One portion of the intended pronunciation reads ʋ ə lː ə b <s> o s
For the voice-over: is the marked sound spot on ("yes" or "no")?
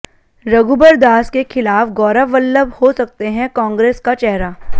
no